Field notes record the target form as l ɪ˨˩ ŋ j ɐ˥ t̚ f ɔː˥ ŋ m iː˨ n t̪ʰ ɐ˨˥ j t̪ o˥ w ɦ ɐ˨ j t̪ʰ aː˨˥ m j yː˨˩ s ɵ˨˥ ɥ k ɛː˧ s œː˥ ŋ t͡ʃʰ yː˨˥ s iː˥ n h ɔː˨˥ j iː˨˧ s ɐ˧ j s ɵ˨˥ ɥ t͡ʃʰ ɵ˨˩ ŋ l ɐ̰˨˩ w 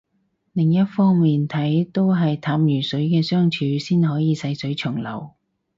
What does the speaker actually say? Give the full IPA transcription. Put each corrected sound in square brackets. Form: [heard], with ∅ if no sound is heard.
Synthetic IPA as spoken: l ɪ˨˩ ŋ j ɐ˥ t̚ f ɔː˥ ŋ m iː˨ n t̪ʰ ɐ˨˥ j t̪ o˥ w ɦ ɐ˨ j t̪ʰ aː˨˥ m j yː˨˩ s ɵ˨˥ ɥ k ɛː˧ s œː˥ ŋ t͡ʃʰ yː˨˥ s iː˥ n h ɔː˨˥ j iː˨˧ s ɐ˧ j s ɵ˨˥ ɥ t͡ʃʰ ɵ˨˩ ŋ l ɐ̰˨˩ w